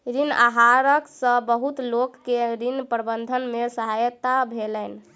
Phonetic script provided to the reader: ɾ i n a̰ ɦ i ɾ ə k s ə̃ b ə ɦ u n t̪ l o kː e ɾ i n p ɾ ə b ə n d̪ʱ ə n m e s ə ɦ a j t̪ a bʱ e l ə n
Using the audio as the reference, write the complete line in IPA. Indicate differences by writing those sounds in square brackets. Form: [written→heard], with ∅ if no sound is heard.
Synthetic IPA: ɾ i n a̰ ɦ [i→a] ɾ ə k s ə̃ b ə ɦ u [n→∅] t̪ l o kː e ɾ i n p ɾ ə b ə n d̪ʱ ə n m e s ə ɦ a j t̪ a bʱ e l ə n